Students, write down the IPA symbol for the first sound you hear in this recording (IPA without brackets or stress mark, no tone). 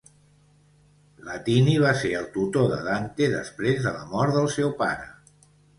l